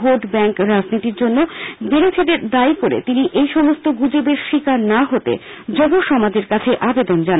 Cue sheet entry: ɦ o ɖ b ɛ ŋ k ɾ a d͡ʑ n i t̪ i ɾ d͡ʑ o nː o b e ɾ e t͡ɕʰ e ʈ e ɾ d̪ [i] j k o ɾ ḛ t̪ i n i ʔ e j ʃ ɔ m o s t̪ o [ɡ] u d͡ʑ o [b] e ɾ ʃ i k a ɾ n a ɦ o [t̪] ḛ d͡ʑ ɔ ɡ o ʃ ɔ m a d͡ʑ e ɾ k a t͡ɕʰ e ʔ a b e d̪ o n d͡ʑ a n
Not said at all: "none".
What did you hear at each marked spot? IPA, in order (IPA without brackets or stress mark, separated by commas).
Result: a, ɡ, b, t̪